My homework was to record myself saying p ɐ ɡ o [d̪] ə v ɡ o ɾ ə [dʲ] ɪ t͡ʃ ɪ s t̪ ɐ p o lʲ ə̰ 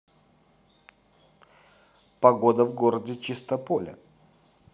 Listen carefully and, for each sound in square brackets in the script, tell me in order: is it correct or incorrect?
correct, correct

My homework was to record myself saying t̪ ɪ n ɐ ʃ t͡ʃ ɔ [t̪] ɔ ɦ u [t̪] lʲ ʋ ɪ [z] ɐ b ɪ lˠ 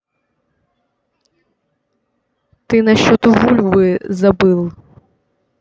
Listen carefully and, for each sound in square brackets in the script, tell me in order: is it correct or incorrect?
correct, incorrect: none, correct

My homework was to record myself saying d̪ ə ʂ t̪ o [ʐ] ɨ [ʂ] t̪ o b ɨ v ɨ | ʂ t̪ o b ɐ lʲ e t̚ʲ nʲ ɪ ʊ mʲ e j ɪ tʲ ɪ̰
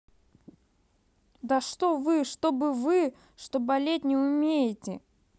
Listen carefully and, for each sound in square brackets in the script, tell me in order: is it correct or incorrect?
incorrect: v, correct

